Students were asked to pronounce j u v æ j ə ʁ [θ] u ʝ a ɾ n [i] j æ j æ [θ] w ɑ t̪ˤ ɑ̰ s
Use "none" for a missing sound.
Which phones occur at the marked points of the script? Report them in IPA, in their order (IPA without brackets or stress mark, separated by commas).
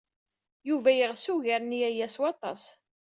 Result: s, i, s